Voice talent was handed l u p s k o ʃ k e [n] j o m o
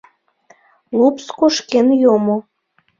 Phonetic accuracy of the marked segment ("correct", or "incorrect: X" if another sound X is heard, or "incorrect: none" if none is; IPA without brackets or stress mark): correct